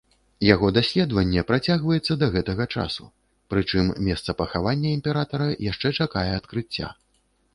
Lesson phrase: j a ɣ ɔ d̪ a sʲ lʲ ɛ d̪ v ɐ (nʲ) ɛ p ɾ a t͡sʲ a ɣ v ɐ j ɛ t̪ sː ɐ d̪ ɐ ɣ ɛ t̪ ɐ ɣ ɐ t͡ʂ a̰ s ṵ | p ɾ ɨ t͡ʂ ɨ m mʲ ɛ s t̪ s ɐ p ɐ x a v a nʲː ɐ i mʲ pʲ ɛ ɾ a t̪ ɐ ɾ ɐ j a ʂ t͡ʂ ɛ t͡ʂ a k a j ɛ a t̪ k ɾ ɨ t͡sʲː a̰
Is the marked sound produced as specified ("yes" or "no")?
no